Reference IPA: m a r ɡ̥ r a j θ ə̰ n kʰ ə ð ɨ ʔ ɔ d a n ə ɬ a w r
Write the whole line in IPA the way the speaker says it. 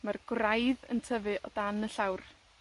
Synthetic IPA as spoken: m a r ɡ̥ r a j ð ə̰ n tʰ ə v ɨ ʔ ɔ d a n ə ɬ a w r